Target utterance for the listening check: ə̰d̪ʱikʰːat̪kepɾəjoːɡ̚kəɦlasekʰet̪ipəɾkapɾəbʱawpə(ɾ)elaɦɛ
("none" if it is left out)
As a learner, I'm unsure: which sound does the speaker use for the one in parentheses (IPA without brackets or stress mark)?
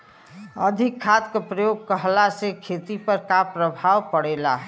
ɽ